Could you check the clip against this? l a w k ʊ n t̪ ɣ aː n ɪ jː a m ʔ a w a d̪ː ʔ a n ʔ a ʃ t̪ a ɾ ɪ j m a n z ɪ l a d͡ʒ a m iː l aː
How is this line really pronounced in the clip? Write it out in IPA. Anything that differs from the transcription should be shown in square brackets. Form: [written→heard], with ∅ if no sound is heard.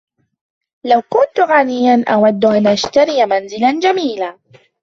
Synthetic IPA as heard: l a w k ʊ n t̪ ɣ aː n ɪ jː a [m→n] ʔ a w a d̪ː ʔ a n ʔ a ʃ t̪ a ɾ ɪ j m a n z ɪ l a d͡ʒ a m iː l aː